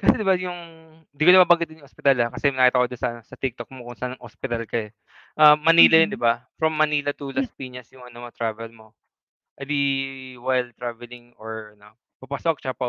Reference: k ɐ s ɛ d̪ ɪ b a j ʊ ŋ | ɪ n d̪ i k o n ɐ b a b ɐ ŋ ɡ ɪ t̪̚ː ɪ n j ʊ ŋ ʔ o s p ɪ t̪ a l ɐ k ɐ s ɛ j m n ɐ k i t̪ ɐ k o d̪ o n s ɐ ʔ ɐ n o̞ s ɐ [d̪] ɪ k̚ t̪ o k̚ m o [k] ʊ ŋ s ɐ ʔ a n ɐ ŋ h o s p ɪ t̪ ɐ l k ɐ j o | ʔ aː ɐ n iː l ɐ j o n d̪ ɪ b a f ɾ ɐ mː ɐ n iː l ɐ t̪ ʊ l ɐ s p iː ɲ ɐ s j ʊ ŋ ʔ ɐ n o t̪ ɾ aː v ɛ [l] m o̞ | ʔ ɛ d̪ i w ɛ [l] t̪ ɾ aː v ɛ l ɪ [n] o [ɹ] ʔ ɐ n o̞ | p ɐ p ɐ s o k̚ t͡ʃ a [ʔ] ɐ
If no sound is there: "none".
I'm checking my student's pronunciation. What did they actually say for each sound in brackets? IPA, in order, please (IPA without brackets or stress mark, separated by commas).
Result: t̪, k, l, l, ŋ, ɹ, p